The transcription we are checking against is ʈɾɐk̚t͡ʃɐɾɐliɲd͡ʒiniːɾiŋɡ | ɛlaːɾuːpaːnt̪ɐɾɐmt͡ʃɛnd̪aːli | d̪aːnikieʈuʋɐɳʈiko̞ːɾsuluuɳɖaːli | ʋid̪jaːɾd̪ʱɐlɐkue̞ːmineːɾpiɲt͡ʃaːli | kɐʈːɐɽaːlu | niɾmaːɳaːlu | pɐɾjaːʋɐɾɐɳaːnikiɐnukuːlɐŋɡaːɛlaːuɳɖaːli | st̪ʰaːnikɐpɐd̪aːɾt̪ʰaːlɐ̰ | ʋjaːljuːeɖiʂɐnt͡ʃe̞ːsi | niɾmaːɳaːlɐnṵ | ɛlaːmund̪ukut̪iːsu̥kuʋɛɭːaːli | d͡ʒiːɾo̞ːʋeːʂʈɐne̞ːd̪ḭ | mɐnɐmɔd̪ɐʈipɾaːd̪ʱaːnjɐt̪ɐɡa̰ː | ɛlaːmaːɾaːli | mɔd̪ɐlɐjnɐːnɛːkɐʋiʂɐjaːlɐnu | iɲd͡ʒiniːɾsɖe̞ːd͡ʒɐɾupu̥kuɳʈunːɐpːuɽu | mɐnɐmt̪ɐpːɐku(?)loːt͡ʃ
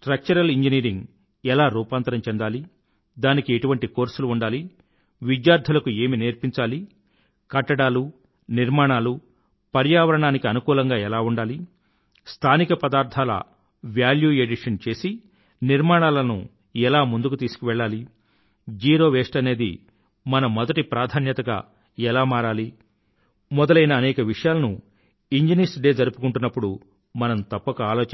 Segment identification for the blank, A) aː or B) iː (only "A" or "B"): A